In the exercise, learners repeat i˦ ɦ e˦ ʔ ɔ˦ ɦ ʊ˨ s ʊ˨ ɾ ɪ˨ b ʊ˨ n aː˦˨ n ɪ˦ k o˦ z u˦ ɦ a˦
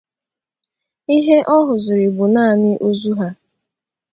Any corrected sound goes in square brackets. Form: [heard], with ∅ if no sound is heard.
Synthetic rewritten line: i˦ ɦ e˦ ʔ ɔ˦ ɦ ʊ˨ [z] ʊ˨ ɾ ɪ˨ b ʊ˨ n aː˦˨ n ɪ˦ [ʔ] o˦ z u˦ ɦ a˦

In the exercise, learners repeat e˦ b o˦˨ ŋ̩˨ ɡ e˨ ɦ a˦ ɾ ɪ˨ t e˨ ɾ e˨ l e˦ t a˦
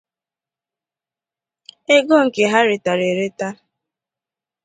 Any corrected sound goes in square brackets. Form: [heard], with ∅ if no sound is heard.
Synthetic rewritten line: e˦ [ɡ] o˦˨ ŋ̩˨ [k] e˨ ɦ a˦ ɾ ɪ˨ t [a˨] ɾ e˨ [ɾ] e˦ t a˦

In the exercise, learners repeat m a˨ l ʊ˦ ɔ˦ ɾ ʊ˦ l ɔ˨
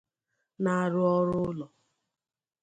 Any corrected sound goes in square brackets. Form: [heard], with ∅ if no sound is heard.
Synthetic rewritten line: [n] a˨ [ɾ] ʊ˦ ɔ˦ ɾ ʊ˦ l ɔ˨

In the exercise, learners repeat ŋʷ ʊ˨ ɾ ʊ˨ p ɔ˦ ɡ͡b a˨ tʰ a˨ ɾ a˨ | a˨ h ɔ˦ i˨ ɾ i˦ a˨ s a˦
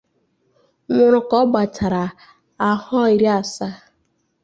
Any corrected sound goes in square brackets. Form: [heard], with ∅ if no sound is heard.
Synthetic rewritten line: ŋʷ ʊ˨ ɾ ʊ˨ [k] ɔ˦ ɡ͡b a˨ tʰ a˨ ɾ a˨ | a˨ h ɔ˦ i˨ ɾ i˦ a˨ s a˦

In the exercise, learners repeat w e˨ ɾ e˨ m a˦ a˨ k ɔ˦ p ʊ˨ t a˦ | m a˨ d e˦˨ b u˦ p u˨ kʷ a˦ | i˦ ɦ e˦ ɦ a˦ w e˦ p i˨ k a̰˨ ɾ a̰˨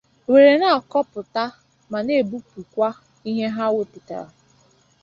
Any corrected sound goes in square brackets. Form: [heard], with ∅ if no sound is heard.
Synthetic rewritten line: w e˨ ɾ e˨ [n] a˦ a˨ k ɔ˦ p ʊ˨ t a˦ | m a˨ [n] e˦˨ b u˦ p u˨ kʷ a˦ | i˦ ɦ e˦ ɦ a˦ w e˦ p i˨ [t] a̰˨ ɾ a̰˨

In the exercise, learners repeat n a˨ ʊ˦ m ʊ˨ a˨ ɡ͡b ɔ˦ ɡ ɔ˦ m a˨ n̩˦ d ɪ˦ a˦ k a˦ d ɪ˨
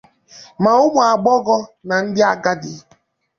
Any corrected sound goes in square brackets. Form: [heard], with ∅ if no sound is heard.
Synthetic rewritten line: [m] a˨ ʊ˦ m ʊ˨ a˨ ɡ͡b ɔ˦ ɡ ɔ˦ [n] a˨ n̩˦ d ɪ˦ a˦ [ɡ] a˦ d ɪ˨

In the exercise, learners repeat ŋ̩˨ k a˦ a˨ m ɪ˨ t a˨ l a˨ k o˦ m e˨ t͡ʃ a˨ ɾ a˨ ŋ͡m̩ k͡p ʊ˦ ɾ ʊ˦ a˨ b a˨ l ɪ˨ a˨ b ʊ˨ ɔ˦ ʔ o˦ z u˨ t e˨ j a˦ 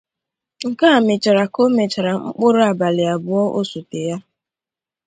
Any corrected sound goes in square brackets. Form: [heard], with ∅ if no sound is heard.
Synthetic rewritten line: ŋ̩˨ k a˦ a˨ m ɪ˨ [t͡ʃ] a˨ [ɾ] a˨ k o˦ m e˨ t͡ʃ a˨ ɾ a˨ ŋ͡m̩ k͡p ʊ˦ ɾ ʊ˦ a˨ b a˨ l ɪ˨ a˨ b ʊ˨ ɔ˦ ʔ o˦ [s] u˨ t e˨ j a˦

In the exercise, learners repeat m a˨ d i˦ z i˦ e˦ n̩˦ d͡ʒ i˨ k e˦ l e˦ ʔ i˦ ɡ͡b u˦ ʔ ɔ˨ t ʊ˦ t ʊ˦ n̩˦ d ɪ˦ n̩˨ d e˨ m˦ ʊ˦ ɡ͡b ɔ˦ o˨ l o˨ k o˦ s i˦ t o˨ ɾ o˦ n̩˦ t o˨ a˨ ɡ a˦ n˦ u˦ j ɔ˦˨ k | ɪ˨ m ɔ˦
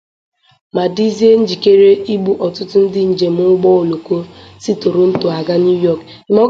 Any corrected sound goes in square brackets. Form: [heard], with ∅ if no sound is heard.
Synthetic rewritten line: m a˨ d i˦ z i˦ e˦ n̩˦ d͡ʒ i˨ k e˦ [ɾ] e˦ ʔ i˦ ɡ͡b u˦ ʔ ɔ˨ t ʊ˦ t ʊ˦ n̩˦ d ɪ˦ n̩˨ [d͡ʒ] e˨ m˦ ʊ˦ ɡ͡b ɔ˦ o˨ l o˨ k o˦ s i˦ t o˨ ɾ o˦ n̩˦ t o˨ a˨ ɡ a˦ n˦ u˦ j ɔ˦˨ k | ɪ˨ m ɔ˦

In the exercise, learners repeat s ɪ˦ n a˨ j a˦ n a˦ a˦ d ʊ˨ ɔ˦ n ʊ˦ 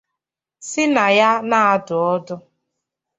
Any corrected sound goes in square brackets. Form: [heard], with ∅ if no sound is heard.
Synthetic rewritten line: s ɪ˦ n a˨ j a˦ n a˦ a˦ d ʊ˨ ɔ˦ [d] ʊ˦

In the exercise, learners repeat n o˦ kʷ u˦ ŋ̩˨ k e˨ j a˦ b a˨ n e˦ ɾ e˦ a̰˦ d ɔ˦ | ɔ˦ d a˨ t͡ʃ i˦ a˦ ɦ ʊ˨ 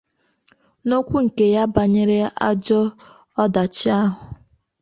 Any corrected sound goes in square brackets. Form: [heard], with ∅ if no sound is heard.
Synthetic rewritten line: n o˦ kʷ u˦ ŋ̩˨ k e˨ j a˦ b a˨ [ɲ] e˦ ɾ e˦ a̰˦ [d͡ʒ] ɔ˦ | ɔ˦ d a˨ t͡ʃ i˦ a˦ ɦ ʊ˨

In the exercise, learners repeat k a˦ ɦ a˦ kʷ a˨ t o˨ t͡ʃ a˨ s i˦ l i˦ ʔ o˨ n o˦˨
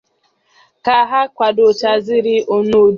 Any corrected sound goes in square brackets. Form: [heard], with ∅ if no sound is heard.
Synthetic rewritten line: k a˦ ɦ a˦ kʷ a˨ [d] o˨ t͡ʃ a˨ [z] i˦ [ɾ] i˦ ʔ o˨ n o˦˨

